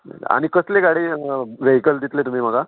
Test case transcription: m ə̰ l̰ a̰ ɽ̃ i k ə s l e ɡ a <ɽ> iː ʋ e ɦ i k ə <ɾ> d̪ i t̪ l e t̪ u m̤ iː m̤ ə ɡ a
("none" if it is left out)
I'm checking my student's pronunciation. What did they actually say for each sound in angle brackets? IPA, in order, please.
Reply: ɽ, l

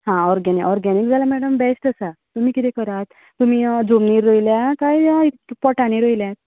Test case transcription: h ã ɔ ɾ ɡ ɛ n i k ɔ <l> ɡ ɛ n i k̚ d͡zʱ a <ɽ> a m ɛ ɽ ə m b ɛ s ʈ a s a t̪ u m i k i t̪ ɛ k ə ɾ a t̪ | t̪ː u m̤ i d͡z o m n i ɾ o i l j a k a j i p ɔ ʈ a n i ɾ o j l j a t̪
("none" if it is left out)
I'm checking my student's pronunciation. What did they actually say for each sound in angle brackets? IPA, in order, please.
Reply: ɾ, l

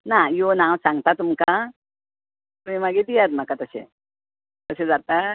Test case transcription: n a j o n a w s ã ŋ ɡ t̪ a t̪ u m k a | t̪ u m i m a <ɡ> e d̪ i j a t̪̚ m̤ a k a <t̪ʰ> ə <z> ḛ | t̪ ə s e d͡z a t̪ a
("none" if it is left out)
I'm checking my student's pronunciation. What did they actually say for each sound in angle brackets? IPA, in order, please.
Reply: ɡ, t̪, s

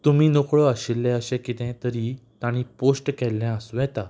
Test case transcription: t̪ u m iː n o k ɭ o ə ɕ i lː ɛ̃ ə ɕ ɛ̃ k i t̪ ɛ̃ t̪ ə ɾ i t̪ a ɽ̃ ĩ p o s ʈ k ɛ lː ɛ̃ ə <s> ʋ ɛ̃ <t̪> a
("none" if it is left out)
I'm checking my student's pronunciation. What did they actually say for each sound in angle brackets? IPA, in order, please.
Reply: s, t̪

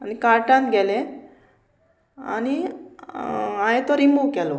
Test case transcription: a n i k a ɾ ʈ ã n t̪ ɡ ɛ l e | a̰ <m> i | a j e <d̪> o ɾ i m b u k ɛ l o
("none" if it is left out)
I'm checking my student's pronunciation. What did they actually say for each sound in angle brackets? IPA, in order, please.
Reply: n, t̪

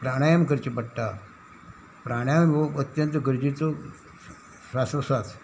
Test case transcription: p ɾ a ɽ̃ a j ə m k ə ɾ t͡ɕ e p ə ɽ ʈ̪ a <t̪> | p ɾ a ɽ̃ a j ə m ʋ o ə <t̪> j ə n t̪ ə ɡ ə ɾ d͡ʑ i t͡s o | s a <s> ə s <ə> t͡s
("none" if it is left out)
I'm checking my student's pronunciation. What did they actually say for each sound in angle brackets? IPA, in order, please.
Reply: none, t̪, s, a

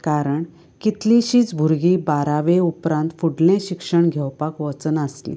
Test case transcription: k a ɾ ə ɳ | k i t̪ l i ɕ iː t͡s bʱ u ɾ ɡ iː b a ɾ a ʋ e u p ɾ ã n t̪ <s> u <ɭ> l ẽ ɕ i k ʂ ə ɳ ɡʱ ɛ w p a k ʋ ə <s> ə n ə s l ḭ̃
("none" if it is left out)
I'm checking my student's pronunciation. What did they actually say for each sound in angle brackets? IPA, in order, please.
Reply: f, ɽ, t͡s

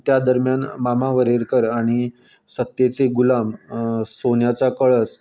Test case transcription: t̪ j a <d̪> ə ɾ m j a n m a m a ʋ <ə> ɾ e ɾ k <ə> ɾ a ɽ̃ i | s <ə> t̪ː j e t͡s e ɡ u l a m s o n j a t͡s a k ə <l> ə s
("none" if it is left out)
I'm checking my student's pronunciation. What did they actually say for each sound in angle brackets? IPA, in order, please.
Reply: d̪, ə, ə, ə, ɭ

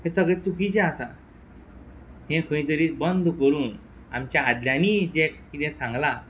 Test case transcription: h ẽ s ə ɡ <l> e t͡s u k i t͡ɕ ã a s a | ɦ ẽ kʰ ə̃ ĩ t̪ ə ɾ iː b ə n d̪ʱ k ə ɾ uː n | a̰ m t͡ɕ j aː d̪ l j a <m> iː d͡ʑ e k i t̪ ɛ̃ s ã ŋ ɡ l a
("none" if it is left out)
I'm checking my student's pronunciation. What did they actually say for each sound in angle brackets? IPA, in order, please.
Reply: ɭ, n

